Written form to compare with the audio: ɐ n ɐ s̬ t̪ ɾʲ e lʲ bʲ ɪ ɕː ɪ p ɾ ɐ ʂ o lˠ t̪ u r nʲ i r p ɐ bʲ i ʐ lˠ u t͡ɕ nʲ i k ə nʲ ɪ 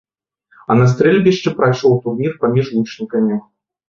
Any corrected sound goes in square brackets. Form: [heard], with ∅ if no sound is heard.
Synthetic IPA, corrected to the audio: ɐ n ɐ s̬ t̪ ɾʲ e lʲ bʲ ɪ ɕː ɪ p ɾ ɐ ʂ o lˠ t̪ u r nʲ i r p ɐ [mʲ] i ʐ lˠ u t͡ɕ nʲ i k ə [mʲ] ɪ